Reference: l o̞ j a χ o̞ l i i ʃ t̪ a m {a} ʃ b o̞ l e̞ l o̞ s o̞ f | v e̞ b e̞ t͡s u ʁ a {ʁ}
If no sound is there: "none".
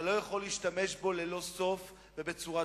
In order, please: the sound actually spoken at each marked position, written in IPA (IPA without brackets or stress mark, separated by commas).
e, none